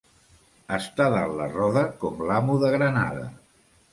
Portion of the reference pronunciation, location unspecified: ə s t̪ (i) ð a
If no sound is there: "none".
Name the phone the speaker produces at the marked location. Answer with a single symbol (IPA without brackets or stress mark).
a